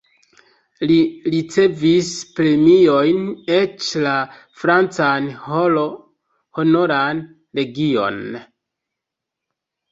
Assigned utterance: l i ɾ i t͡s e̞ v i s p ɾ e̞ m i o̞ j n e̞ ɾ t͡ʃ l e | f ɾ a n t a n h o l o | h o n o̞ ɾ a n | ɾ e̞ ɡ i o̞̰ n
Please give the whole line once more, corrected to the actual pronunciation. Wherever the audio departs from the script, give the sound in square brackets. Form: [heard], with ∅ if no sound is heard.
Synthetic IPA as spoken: l i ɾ i t͡s e̞ v i s p ɾ e̞ m i o̞ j n e̞ [∅] t͡ʃ l [a] | f ɾ a n [t͡s] a n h o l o | h o n o̞ ɾ a n | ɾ e̞ ɡ i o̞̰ n